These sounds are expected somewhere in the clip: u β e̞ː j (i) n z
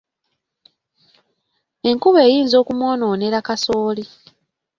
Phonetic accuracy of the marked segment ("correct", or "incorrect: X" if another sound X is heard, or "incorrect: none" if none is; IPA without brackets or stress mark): incorrect: iː